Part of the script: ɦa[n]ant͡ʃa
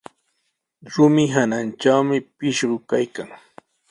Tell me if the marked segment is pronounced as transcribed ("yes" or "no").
yes